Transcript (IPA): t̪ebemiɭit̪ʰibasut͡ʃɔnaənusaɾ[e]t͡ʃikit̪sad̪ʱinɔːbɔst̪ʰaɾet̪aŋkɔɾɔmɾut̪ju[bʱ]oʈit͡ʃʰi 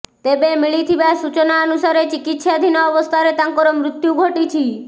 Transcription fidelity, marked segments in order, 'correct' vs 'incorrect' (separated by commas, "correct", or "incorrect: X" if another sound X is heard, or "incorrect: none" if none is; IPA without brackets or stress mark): correct, incorrect: ɡʱ